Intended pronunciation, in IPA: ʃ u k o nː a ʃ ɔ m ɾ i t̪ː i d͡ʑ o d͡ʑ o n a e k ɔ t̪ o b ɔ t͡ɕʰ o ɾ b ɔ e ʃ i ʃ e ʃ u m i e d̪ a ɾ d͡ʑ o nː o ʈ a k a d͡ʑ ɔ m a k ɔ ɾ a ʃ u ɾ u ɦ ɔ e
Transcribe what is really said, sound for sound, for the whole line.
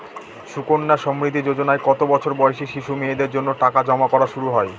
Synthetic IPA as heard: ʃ u k o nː a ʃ ɔ m ɾ i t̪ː i d͡ʑ o d͡ʑ o n a e k ɔ t̪ o b ɔ t͡ɕʰ o ɾ b ɔ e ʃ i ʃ i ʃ u m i e d̪ e ɾ d͡ʑ o nː o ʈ a k a d͡ʑ ɔ m a k ɔ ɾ a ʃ u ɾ u ɦ ɔ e